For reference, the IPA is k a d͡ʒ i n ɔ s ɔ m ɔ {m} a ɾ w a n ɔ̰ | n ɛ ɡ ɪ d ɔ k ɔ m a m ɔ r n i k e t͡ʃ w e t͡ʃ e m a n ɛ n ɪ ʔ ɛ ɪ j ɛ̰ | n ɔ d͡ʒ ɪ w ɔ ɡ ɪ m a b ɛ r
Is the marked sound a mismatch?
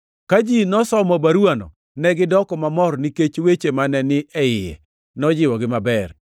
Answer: yes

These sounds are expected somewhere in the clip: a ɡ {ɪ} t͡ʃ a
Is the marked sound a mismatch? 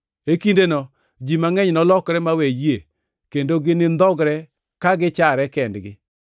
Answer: no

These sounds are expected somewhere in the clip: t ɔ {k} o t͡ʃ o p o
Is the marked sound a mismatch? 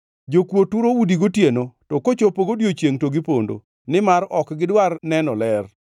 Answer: no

